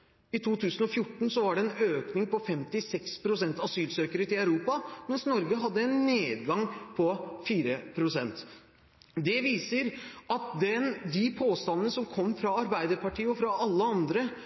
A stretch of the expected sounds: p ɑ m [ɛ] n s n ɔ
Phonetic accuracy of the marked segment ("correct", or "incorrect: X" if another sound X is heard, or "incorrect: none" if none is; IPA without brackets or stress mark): correct